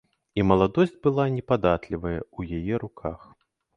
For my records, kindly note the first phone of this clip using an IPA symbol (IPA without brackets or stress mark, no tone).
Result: i